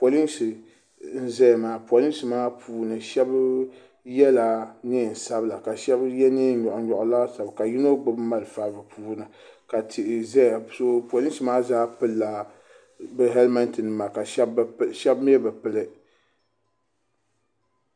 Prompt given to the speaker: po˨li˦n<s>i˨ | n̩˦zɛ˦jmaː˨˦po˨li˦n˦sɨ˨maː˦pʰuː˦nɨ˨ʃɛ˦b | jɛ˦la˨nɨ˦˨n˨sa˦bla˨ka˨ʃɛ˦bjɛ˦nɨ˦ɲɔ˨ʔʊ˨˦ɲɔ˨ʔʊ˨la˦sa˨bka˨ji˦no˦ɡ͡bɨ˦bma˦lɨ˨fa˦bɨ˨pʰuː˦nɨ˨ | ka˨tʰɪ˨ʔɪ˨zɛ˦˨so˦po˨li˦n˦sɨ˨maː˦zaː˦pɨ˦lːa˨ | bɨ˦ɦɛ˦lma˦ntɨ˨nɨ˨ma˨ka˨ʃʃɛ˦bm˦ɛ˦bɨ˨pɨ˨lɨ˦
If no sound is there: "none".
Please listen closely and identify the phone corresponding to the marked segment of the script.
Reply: s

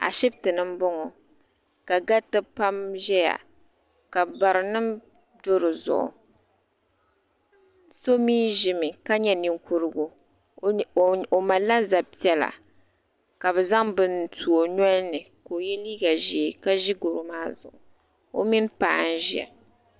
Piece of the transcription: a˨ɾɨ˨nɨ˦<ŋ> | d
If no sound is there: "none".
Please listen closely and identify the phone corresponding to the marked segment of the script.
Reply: m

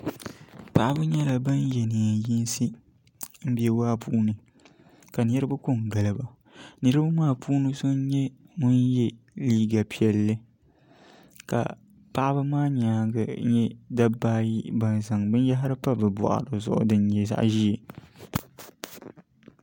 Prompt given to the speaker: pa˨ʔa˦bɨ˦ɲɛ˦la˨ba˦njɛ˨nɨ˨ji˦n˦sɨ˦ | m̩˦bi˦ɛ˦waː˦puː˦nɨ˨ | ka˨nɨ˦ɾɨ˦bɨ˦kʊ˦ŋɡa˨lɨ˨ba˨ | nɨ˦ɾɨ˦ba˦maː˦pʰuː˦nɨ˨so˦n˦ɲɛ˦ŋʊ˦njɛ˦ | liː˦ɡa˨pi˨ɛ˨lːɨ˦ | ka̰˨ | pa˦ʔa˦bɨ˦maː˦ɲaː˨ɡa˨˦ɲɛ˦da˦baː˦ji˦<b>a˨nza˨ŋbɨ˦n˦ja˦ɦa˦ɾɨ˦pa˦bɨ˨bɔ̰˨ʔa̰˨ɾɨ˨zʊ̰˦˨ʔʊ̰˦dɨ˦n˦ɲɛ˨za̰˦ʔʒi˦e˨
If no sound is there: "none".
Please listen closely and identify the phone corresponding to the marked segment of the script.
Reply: b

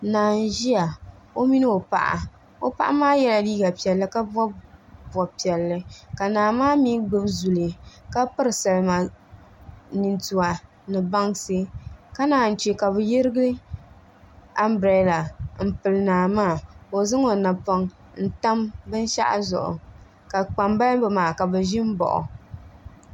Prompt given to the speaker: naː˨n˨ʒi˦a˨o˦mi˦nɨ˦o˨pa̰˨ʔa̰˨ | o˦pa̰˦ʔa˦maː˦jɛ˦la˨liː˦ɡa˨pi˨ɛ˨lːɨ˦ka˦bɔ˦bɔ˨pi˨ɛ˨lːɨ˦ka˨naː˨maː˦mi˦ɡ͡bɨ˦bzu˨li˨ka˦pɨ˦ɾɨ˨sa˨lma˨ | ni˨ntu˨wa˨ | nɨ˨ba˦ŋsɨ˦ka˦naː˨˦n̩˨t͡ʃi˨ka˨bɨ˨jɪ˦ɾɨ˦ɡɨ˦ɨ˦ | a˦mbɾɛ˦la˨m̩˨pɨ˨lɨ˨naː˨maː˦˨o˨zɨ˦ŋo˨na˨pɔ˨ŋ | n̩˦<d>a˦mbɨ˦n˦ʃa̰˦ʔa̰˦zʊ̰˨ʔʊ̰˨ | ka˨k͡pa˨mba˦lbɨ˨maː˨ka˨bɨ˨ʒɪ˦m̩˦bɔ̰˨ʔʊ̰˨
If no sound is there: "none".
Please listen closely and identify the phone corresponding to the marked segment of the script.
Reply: t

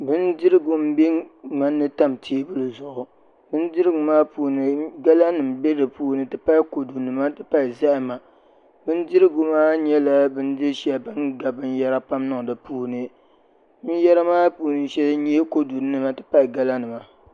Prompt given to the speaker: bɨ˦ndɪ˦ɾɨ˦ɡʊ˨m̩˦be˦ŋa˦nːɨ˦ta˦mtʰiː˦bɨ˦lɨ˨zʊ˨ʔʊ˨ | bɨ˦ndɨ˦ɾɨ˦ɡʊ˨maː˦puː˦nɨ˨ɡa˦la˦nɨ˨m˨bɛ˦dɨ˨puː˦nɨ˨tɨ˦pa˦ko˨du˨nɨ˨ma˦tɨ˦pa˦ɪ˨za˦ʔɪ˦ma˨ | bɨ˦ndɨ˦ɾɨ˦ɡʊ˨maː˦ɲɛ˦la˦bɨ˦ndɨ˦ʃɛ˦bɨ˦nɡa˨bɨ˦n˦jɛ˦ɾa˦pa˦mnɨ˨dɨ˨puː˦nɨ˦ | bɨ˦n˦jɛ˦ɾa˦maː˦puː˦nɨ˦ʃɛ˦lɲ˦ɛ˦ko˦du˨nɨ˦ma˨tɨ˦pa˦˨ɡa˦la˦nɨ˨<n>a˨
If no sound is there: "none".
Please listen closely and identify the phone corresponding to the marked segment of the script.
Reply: m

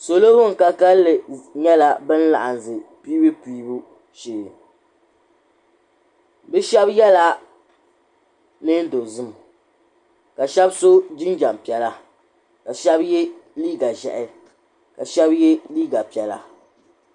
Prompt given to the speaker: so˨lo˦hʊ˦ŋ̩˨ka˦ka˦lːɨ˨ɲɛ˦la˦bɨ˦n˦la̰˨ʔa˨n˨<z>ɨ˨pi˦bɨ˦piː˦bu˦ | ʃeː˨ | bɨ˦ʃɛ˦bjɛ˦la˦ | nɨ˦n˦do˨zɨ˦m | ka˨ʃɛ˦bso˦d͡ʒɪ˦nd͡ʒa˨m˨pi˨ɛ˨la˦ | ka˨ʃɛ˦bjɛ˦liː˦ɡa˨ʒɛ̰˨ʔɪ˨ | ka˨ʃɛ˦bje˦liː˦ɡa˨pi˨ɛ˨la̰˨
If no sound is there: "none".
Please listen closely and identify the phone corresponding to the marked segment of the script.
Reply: z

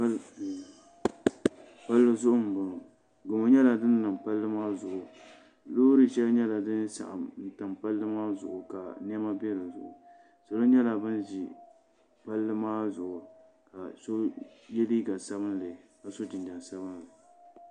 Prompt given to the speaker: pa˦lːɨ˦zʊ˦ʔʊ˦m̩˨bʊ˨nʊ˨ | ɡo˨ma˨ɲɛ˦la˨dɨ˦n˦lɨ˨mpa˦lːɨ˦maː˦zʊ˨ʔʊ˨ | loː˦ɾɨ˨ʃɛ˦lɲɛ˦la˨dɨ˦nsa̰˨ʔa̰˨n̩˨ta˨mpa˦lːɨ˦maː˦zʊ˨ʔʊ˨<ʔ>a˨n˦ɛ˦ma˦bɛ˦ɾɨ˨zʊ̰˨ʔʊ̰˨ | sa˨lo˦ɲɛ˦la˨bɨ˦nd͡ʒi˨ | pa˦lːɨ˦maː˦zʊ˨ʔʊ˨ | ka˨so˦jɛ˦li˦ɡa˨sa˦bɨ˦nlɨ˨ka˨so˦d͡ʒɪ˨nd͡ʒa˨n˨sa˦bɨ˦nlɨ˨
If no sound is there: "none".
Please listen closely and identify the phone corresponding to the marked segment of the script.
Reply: k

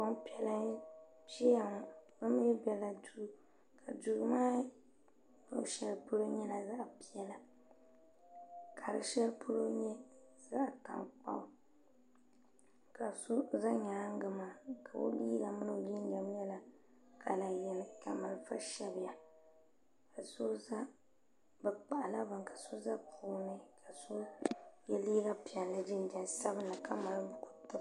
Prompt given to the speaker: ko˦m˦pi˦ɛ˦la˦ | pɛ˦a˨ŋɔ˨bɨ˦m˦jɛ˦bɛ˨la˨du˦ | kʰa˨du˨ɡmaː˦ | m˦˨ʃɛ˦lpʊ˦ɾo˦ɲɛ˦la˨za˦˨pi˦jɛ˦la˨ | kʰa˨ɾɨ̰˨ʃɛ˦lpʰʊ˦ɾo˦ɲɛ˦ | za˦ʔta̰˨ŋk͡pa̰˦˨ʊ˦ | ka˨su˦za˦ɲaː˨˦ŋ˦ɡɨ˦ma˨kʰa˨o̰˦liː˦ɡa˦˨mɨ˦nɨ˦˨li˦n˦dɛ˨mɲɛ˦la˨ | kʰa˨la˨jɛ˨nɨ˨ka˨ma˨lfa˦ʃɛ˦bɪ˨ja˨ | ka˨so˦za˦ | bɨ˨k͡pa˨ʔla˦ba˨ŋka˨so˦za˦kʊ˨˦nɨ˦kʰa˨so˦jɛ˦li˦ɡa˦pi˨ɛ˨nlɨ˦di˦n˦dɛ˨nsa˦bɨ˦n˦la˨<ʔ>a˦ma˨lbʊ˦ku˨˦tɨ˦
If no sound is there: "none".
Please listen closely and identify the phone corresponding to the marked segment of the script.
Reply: k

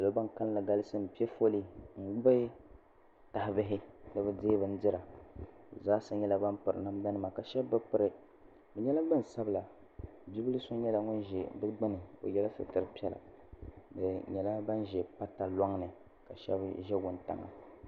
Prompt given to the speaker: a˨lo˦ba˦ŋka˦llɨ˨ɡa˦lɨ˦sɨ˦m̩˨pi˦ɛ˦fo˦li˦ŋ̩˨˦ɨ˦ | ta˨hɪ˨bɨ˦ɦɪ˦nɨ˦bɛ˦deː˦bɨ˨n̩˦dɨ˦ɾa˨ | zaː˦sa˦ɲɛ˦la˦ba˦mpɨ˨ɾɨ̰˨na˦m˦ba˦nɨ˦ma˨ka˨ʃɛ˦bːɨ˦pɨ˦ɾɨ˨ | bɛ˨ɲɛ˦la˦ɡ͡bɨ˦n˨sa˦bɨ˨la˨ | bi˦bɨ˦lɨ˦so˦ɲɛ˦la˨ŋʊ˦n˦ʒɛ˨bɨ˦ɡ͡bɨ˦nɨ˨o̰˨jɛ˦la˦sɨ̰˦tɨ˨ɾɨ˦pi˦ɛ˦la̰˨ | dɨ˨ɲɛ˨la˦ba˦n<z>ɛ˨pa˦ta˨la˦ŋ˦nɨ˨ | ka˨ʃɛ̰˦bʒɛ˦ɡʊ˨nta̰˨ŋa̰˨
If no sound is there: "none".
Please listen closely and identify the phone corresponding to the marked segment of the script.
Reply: ʒ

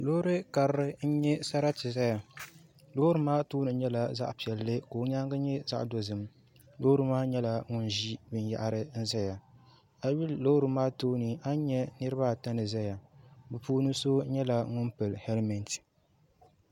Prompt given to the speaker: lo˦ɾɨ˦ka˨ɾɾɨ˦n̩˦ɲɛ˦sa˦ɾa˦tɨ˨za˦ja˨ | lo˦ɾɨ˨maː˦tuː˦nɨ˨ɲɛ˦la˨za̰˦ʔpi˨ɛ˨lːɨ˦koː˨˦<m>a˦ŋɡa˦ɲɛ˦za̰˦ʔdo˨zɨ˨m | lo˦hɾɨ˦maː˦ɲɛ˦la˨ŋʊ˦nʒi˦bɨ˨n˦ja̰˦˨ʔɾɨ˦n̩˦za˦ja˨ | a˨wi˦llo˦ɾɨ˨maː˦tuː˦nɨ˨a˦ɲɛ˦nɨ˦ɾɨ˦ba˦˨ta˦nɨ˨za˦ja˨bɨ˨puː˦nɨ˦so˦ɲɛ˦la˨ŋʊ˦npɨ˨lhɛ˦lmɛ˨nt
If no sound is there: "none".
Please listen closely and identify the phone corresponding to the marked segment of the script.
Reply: ɲ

